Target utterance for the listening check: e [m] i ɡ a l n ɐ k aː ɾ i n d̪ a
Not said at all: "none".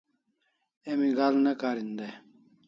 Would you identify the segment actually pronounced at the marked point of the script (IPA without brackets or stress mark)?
m